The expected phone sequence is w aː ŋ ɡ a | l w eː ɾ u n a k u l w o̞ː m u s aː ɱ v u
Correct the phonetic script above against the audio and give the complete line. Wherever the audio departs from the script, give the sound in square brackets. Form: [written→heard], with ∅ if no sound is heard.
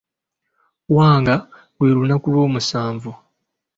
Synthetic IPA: w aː ŋ ɡ a | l w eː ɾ u n a k u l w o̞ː m u s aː ɱ v u